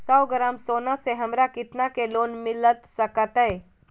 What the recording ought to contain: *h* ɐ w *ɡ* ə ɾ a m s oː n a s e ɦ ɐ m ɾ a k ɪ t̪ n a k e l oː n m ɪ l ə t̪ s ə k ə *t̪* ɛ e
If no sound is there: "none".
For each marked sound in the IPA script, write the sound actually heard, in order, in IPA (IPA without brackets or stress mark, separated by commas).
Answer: s, ɡ, t̪